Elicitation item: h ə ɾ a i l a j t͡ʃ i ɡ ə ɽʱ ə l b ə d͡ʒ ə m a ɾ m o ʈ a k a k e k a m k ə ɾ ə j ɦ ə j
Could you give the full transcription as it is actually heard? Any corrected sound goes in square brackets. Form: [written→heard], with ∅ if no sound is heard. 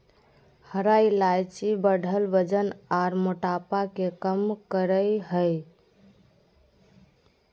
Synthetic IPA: h ə ɾ a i l a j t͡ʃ i [ɡ→b] ə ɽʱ ə l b ə d͡ʒ ə [m→n] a ɾ m o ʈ a [k→p] a k e k [a→ə] m k ə ɾ ə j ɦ ə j